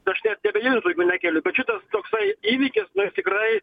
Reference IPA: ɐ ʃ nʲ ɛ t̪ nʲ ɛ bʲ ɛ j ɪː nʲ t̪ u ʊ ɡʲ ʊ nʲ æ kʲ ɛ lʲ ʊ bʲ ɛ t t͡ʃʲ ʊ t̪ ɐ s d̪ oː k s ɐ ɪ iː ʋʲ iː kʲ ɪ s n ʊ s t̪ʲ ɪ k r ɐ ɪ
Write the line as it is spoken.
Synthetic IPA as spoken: ɐ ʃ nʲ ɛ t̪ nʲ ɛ bʲ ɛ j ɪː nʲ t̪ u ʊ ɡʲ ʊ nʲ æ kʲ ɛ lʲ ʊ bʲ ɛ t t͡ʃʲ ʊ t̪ ɐ s t̪ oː k s ɐ ɪ iː ʋʲ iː kʲ ɪ s n ʊ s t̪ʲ ɪ k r ɐ ɪ